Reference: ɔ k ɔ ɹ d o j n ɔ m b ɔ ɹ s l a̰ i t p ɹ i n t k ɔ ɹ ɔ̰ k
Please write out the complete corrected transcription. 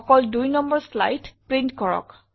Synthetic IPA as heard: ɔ k ɔ l d u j n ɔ m b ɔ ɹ s l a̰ j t p ɹ i n t k ɔ ɹ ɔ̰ k